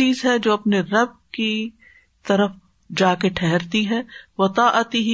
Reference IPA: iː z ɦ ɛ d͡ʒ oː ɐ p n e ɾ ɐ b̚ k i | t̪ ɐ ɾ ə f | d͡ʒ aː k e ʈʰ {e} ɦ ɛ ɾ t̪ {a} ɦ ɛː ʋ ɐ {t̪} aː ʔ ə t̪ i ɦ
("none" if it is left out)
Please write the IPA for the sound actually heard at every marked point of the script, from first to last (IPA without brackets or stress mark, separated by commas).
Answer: ɛ, i, t̪